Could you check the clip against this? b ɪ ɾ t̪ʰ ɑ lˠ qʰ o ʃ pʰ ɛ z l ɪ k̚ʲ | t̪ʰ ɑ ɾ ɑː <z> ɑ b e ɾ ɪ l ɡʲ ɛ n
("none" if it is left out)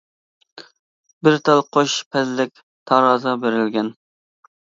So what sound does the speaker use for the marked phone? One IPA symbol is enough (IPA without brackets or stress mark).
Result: z